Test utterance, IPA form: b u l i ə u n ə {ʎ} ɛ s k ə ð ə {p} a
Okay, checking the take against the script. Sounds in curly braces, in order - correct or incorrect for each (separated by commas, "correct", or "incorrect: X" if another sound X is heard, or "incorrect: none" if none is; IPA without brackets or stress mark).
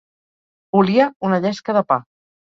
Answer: correct, correct